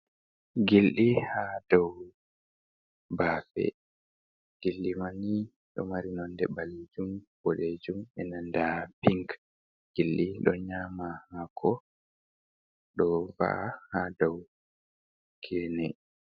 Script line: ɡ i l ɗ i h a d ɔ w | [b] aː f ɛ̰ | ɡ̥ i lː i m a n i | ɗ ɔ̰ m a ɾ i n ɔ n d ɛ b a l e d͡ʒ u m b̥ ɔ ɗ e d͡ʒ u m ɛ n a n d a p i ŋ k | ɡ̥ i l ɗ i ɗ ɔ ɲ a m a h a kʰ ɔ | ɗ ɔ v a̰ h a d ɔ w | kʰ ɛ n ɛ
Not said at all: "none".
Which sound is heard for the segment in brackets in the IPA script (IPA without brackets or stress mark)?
b